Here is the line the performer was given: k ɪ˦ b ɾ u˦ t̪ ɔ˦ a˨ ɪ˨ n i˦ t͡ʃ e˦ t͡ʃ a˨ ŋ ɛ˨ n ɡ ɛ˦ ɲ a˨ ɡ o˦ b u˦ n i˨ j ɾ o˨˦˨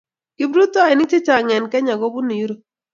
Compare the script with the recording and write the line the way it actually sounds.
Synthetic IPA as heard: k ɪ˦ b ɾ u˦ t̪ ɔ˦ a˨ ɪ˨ n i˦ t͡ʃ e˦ t͡ʃ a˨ ŋ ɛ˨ n k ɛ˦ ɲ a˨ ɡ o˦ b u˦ n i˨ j ɾ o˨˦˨